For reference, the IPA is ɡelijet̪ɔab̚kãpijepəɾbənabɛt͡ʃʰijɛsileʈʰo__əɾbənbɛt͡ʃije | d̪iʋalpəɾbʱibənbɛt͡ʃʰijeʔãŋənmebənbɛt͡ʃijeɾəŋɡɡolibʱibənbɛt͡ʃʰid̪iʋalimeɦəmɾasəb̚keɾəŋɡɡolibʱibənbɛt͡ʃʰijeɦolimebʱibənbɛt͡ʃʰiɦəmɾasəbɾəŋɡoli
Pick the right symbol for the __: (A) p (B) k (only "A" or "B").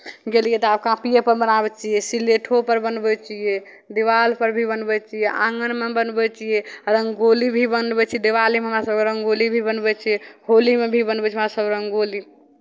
A